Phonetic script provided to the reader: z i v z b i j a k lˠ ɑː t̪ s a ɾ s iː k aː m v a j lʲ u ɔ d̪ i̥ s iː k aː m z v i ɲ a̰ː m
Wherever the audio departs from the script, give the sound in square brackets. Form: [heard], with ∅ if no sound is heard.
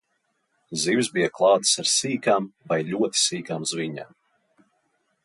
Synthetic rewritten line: z i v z b i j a k lˠ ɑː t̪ s a ɾ s iː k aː m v a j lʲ u ɔ [t̪] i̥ s iː k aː m z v i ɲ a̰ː m